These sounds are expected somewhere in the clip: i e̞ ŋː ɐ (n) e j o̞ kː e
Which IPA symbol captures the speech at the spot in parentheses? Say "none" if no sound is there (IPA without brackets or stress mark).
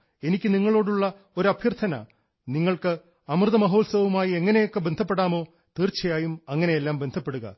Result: n